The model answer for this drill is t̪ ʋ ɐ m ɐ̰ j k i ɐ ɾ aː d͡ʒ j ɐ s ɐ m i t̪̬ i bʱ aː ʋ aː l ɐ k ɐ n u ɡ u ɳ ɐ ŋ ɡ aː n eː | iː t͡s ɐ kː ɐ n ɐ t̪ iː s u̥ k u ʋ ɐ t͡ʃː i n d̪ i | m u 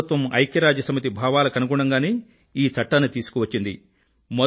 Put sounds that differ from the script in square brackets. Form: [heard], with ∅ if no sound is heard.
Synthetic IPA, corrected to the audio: t̪ ʋ ɐ m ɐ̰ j k [j] ɐ ɾ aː d͡ʒ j ɐ s ɐ m i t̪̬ i bʱ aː ʋ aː l ɐ k ɐ n u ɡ u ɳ ɐ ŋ ɡ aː n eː | iː t͡s ɐ [ʈː] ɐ n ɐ t̪ iː s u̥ k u ʋ ɐ t͡ʃː i n d̪ i | m [ɔ]

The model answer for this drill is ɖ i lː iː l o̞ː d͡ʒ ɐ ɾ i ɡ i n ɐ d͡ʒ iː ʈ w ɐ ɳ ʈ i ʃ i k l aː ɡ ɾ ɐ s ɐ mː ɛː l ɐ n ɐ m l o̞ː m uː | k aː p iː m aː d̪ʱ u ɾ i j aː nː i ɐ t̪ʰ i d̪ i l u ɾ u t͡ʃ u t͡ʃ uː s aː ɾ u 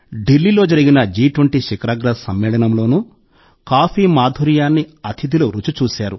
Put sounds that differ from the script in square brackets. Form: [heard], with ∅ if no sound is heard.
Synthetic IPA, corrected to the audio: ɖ i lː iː l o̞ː d͡ʒ ɐ ɾ i ɡ i n ɐ d͡ʒ iː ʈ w ɐ ɳ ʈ i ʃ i k [ɾ] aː ɡ ɾ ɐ s ɐ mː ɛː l ɐ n ɐ m l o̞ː [n] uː | k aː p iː m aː d̪ʱ u ɾ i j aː nː i ɐ t̪ʰ i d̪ i l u ɾ u t͡ʃ u t͡ʃ uː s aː ɾ u

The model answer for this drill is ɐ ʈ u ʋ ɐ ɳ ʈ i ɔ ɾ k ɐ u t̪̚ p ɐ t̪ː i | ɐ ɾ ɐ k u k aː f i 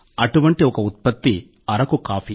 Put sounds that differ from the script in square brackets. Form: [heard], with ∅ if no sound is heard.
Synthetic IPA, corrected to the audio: ɐ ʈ u ʋ ɐ ɳ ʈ i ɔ [∅] k ɐ u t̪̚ p ɐ t̪ː i | ɐ ɾ ɐ k u k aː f i

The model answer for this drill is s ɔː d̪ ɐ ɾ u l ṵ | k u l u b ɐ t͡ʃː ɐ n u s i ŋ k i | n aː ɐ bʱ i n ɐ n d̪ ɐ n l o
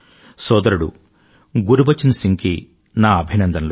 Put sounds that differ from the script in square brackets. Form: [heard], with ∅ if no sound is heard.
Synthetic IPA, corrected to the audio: s ɔː d̪ ɐ ɾ u [ɽ] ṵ | [ɡ] u [ɾ] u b ɐ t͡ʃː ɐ n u s i ŋ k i | n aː ɐ bʱ i n ɐ n d̪ ɐ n l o

